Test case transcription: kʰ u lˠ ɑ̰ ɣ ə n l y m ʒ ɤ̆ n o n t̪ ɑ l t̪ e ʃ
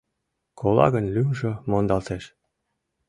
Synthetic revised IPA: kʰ o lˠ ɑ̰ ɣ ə n l y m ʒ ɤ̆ m o n d̪ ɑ l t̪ e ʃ